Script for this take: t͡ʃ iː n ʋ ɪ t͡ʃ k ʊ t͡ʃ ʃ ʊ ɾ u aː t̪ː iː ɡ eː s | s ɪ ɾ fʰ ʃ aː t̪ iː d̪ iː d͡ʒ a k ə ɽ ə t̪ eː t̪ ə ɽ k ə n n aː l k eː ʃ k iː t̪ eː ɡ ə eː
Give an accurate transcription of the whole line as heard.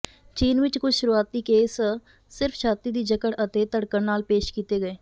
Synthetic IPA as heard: t͡ʃ iː n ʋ ɪ t͡ʃ k ʊ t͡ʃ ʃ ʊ ɾ u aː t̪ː iː k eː s | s ɪ ɾ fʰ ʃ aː t̪ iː d̪ iː d͡ʒ ə k ə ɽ ə t̪ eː t̪ ə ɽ k ə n n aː l p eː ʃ k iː t̪ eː ɡ ə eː